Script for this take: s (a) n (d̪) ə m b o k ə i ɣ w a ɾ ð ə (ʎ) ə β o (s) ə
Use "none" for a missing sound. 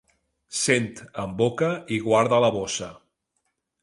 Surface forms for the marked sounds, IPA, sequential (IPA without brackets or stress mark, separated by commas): e, t̪, l, s